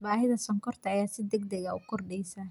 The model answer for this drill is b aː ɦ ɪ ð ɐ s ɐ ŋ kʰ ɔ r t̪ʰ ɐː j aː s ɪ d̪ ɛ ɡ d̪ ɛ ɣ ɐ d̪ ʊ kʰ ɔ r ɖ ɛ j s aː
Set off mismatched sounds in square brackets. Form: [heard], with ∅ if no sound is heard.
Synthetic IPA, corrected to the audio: b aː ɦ ɪ ð ɐ s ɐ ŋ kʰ ɔ r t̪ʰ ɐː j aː s ɪ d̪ ɛ ɡ d̪ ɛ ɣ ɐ [∅] ʊ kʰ ɔ r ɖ ɛ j s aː